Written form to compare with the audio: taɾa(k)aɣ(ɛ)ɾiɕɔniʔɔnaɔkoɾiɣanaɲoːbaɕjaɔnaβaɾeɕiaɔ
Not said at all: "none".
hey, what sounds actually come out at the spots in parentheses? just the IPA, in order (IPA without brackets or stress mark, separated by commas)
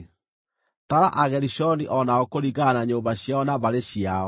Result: ʔ, ɛ